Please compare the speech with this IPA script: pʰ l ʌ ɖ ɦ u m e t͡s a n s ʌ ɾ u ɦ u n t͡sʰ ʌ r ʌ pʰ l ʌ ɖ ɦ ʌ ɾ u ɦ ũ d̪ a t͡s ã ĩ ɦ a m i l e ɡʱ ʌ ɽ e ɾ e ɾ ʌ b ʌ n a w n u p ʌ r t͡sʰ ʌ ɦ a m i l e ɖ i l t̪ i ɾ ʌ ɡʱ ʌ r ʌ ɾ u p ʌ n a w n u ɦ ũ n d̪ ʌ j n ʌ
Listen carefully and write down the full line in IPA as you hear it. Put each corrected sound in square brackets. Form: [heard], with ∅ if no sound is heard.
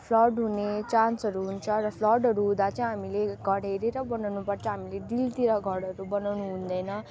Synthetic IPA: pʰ l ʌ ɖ ɦ u [n] e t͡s a n s ʌ ɾ u ɦ u n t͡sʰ ʌ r ʌ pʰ l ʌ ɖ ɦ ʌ ɾ u ɦ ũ d̪ a t͡s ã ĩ ɦ a m i l e ɡʱ ʌ ɽ e ɾ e ɾ ʌ b ʌ n a w n u p ʌ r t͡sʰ ʌ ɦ a m i l e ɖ i l t̪ i ɾ ʌ ɡʱ ʌ [ɽ] ʌ ɾ u [b] ʌ n a w n u ɦ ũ n d̪ ʌ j n ʌ